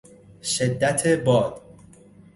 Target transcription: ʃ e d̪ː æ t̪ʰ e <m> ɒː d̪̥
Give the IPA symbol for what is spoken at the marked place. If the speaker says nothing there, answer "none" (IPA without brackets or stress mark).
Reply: b